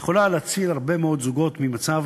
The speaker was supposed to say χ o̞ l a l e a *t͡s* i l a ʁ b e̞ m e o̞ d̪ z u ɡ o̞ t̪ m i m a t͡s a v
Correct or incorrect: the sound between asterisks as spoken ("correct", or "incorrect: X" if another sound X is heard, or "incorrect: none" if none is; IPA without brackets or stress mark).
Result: correct